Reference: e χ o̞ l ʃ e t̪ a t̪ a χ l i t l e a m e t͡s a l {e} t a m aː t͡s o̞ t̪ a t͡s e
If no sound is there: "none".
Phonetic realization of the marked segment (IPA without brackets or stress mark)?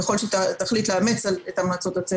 e